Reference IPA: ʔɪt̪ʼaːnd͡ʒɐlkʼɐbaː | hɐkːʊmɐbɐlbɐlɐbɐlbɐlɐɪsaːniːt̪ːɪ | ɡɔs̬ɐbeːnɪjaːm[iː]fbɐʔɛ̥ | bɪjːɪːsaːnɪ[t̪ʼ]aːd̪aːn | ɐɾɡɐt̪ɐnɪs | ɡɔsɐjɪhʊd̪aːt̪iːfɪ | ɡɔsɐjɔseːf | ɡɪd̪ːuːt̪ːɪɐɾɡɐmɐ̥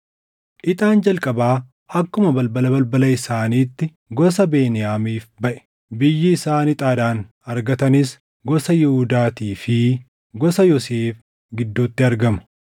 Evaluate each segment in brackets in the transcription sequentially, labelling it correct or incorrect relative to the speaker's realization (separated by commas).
correct, correct